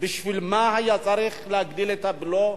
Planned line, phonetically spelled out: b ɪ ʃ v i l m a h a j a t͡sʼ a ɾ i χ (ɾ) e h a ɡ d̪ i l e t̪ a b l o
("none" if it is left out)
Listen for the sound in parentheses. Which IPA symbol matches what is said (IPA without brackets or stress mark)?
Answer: l